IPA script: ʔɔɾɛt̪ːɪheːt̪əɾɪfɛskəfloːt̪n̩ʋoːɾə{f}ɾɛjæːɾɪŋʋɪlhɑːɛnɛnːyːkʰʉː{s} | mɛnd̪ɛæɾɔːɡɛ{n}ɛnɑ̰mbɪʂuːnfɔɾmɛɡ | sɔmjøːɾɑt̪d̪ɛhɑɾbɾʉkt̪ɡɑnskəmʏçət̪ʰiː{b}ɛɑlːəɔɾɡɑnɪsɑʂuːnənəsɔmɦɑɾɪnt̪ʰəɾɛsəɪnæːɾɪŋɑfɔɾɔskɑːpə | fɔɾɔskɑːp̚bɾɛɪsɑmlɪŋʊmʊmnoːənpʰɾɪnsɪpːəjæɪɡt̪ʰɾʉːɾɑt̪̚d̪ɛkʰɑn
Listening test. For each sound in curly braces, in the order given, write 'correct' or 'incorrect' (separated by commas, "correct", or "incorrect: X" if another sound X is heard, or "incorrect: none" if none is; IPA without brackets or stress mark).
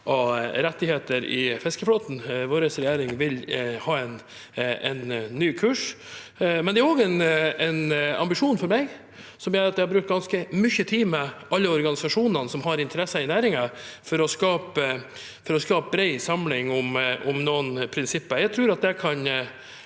incorrect: s, incorrect: ʂ, correct, incorrect: m